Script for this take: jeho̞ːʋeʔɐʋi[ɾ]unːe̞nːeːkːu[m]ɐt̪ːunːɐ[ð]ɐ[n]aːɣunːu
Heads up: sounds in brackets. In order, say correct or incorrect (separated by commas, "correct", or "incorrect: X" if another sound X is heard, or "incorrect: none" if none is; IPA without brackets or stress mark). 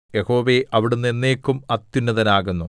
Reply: incorrect: ɽ, correct, correct, correct